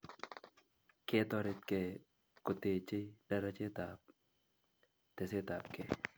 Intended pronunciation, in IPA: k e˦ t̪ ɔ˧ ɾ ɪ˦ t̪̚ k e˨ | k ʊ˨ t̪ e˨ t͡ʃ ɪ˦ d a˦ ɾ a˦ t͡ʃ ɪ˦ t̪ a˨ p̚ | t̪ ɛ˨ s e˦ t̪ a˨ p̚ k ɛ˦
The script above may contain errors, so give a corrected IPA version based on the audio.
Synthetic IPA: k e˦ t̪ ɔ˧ ɾ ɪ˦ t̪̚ k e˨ | k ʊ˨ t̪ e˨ t͡ʃ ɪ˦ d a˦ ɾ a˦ t͡ʃ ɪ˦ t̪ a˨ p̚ | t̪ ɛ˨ s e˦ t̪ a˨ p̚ k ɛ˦